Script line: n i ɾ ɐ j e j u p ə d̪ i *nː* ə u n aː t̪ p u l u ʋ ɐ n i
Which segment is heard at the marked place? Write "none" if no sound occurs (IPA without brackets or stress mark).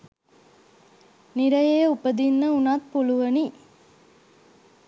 nː